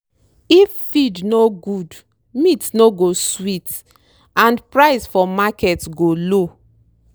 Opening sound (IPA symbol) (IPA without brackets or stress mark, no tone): i